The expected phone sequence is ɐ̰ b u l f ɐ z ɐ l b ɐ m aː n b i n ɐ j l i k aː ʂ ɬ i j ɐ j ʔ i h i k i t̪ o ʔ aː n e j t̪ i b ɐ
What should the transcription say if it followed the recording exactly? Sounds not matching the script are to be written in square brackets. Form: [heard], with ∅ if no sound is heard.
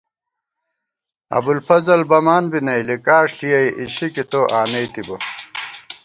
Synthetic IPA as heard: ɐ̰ b u l f ɐ z ɐ l b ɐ m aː n b i n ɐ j l i k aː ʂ ɬ i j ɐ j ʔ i [ɕ] i k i t̪ o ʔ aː n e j t̪ i b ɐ